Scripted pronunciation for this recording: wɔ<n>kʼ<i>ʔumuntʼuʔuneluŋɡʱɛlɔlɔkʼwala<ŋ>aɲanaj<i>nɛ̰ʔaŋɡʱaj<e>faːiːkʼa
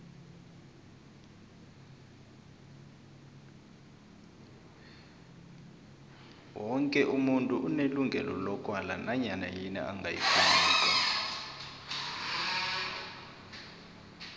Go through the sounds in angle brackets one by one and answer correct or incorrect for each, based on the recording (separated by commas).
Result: incorrect, incorrect, incorrect, correct, incorrect